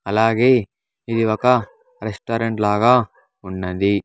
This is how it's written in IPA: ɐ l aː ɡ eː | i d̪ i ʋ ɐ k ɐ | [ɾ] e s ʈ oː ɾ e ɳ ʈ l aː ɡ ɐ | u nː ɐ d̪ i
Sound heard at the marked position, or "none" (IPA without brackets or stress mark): ɾ